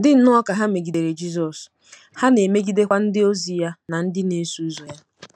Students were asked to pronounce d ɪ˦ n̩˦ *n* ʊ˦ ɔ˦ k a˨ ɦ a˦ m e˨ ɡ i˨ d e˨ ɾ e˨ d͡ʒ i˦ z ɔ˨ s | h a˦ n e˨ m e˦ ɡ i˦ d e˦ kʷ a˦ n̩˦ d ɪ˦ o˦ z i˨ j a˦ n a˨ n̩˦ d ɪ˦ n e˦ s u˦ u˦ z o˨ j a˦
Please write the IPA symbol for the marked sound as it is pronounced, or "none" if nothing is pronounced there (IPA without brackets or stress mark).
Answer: n